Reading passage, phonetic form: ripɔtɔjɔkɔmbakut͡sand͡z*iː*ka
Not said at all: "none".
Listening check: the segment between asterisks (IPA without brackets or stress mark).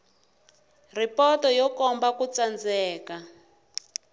ɛː